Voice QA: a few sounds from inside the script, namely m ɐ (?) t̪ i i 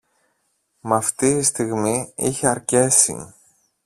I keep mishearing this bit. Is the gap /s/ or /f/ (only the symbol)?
f